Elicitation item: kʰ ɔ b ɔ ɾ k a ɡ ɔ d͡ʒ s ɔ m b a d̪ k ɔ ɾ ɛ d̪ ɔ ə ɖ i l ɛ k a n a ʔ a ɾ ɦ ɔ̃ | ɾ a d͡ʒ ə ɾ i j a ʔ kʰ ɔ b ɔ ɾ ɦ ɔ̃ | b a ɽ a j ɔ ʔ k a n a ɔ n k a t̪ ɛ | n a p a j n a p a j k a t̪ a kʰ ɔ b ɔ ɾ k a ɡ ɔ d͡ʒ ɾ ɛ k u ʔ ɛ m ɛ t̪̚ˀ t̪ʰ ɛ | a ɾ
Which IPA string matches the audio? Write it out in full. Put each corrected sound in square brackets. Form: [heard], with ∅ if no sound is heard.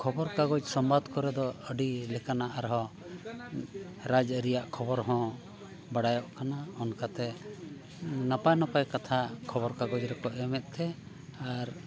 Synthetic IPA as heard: kʰ ɔ b ɔ ɾ k a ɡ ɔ d͡ʒ s ɔ m b a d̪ k ɔ ɾ ɛ d̪ ɔ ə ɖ i l ɛ k a n a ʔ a ɾ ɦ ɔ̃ | ɾ a d͡ʒ ə ɾ i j a ʔ kʰ ɔ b ɔ ɾ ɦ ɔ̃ | b a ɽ a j ɔ ʔ k a n a ɔ n k a t̪ ɛ | n a p a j n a p a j k a [t̪ʰ] a kʰ ɔ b ɔ ɾ k a ɡ ɔ d͡ʒ ɾ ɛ k [ɔ] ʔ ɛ m ɛ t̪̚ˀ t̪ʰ ɛ | a ɾ